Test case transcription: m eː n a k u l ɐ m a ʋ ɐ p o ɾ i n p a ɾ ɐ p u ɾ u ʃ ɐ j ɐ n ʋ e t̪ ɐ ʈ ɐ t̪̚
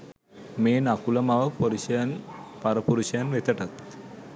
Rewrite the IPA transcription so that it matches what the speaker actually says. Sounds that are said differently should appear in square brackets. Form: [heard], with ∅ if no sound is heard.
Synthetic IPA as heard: m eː n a k u l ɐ m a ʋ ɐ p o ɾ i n p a ɾ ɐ p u ɾ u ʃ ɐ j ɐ n ʋ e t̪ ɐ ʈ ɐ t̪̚